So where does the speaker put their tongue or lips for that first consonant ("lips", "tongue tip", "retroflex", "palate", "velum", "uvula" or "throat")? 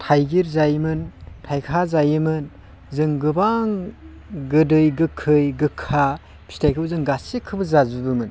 tongue tip